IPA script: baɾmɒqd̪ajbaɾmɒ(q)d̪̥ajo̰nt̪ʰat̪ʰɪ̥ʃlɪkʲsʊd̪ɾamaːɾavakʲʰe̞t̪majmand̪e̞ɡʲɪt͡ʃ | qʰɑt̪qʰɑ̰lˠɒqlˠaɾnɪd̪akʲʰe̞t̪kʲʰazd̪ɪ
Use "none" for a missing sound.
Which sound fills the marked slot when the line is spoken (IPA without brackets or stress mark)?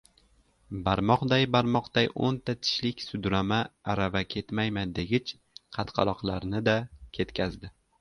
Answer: q